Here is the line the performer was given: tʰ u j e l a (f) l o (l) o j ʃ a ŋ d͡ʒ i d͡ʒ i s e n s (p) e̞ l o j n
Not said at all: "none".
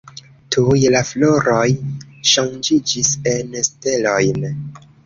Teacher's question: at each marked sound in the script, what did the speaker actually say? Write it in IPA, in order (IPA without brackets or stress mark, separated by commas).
f, ɾ, t